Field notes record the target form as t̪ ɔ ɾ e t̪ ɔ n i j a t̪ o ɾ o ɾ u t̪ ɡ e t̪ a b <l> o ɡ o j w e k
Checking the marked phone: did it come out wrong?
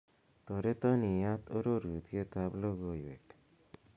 no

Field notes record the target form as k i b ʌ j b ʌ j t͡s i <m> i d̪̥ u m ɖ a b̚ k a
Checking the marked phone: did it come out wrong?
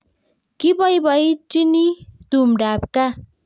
yes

